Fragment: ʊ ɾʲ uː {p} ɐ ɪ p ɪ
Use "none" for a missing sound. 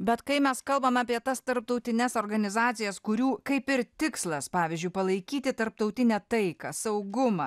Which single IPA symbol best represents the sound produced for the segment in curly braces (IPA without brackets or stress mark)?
k